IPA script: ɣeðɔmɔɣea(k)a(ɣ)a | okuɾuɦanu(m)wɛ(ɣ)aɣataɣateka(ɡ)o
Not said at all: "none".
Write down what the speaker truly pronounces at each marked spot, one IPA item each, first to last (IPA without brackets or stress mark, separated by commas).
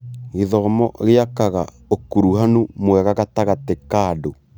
k, ɣ, m, ɣ, d